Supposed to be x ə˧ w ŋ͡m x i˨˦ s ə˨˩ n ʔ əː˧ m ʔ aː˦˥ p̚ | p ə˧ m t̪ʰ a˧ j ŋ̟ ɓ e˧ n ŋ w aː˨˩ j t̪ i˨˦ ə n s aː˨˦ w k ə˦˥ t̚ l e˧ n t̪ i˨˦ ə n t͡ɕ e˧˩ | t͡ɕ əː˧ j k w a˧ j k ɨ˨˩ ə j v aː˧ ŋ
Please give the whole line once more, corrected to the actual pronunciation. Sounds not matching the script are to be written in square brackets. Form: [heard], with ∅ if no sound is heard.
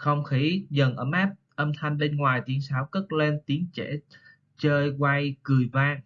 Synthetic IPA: x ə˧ w ŋ͡m x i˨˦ [z] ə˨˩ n ʔ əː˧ m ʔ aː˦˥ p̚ | [ʔ] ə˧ m t̪ʰ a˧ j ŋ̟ ɓ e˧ n ŋ w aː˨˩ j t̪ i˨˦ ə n s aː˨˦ w k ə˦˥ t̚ l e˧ n t̪ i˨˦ ə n t͡ɕ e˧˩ | t͡ɕ əː˧ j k w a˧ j k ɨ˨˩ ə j v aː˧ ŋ